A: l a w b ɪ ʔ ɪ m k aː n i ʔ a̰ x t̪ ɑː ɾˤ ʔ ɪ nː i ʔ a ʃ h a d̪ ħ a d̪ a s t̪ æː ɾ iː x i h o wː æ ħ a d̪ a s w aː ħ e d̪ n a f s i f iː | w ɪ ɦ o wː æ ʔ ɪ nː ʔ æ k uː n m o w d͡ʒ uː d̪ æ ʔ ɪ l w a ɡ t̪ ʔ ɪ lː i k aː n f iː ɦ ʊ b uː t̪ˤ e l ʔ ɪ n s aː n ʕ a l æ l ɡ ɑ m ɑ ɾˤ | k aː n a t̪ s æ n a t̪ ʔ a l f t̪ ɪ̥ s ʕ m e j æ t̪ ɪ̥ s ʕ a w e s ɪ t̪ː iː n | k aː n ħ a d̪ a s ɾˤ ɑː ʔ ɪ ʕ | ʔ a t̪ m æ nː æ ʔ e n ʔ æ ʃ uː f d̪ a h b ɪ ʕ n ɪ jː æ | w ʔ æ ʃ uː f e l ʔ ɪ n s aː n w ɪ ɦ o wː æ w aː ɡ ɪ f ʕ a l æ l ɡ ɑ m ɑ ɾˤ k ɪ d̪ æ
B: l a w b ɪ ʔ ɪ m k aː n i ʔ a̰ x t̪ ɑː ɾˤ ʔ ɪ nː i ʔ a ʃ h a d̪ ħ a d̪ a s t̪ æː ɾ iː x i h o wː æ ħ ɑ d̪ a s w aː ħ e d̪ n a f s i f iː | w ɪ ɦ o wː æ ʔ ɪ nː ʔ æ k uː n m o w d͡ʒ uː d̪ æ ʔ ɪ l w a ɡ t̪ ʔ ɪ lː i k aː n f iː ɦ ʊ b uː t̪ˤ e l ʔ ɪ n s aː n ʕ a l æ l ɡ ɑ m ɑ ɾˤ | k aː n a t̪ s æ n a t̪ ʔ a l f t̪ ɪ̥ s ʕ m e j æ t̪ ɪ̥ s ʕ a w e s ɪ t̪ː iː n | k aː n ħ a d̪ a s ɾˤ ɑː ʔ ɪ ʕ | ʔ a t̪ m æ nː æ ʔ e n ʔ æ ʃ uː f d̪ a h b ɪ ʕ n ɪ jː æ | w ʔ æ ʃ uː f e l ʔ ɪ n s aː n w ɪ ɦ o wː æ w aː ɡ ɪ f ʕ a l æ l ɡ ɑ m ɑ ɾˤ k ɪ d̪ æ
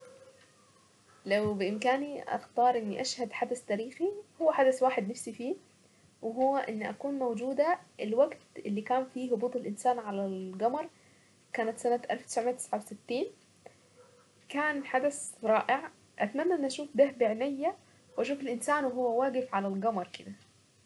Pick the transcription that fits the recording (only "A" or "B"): A